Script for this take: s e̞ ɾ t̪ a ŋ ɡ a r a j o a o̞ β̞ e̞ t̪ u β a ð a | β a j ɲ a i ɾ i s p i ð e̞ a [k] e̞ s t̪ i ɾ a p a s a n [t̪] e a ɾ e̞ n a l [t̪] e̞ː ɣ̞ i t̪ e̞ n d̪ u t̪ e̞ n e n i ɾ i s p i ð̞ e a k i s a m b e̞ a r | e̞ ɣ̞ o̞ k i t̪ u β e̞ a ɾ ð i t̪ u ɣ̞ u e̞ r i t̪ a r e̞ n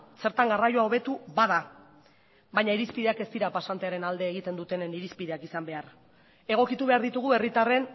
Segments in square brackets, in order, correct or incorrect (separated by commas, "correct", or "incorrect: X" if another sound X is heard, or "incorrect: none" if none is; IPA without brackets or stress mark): correct, correct, incorrect: d̪